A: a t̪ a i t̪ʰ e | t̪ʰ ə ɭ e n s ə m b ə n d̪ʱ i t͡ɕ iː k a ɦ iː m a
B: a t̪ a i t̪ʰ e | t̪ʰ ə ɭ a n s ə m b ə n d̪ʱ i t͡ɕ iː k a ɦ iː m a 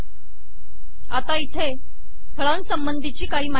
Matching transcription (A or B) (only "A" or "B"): B